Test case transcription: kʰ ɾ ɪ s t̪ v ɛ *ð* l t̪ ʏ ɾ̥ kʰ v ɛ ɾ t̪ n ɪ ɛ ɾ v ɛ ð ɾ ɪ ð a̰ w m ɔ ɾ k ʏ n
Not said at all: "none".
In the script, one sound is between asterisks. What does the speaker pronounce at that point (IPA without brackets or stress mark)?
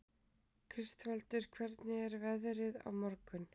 none